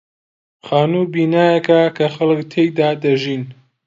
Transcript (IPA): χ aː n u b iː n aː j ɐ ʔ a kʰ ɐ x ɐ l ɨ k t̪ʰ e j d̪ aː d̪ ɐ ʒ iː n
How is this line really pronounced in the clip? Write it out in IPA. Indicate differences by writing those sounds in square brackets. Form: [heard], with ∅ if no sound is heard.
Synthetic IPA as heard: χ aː n u b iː n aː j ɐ [k] a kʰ ɐ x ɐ l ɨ k t̪ʰ e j d̪ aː d̪ ɐ ʒ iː n